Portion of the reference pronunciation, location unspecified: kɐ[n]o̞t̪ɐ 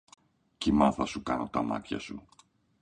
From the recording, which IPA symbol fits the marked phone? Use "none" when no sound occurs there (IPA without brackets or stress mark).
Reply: n